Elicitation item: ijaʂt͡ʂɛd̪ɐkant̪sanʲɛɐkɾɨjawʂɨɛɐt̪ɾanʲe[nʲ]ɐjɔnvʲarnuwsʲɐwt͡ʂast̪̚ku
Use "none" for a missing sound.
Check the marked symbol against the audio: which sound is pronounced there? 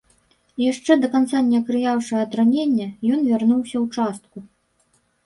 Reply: nʲː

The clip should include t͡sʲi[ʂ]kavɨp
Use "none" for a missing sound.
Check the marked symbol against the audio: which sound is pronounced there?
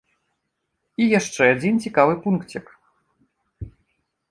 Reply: none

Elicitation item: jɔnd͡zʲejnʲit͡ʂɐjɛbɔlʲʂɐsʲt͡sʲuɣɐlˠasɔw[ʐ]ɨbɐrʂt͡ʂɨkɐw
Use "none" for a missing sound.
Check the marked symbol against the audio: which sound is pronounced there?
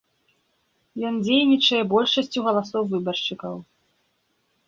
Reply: v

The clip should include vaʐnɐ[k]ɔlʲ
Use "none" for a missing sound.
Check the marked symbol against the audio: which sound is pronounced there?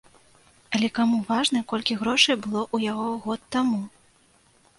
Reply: k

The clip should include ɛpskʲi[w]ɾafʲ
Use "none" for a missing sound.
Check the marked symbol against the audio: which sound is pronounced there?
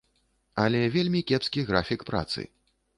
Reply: ɣ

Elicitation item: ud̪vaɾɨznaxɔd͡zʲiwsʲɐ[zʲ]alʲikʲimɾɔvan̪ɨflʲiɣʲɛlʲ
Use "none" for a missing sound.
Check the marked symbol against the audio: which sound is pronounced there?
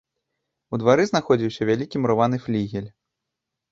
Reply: vʲ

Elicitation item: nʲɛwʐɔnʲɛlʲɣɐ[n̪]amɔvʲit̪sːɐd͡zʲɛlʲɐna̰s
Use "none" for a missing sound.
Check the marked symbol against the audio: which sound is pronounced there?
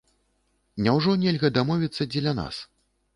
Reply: d̪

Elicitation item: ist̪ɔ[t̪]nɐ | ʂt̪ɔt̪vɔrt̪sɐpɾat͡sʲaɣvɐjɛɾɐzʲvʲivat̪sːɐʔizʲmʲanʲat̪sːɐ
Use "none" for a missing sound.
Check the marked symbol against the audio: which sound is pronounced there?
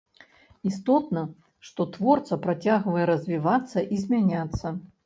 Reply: t̪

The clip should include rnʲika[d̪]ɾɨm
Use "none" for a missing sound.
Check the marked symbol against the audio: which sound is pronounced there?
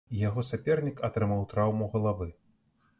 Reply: t̪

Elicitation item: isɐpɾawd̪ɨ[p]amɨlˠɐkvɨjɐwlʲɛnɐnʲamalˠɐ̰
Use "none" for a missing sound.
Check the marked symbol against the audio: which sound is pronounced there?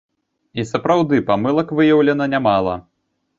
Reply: p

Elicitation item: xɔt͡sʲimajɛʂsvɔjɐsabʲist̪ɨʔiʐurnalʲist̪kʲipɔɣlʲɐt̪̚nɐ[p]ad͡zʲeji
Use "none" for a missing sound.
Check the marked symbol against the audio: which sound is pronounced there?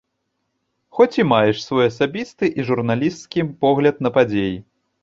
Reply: p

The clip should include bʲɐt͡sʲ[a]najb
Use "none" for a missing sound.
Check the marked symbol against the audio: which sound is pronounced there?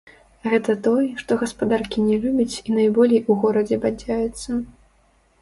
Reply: i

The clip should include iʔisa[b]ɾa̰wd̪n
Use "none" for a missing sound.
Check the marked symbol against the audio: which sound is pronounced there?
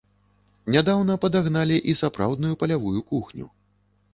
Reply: p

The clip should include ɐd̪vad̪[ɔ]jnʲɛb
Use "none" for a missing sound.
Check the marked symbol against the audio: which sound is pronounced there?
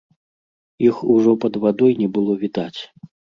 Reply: ɔ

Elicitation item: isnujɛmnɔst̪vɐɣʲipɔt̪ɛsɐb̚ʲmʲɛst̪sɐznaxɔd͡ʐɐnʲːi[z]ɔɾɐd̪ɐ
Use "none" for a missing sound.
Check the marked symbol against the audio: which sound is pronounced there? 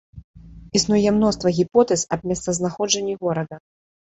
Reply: ɣ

